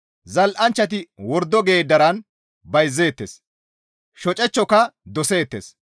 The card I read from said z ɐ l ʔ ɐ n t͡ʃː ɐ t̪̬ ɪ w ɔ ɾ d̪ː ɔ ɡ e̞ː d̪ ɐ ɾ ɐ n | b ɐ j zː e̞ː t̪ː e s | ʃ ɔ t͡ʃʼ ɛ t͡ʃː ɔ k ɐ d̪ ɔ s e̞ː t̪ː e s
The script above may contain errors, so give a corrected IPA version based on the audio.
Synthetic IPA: z ɐ l ʔ ɐ n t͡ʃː ɐ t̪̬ ɪ w ɔ ɾ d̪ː ɔ ɡ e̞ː d̪ ɐ ɾ ɐ n | b ɐ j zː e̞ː t̪ː e s | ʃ ɔ t͡ʃʼ ɛ t͡ʃː ɔ k ɐ d̪ ɔ s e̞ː t̪ː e s